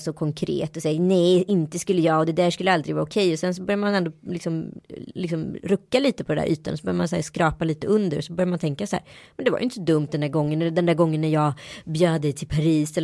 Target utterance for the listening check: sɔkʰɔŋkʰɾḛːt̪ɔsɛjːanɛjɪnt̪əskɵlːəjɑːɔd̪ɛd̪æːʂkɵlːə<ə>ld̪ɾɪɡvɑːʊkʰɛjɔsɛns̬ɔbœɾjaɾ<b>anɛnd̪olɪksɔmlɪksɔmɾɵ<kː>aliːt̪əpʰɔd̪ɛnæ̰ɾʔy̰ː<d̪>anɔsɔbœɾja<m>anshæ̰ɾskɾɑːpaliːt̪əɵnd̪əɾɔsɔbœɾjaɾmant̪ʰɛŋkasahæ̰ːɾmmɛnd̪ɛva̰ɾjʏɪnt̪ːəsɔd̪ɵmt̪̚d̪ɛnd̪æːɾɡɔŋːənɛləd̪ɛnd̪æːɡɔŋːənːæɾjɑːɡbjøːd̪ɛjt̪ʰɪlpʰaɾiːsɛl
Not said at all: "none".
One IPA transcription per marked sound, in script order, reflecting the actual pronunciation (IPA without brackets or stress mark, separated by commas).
a, m, kː, t̪, m